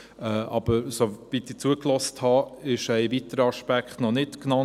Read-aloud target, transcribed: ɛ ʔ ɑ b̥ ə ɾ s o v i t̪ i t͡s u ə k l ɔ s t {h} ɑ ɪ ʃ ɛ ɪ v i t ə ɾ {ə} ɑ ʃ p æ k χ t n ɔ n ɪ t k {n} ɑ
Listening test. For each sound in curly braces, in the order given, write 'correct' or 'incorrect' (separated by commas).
correct, correct, correct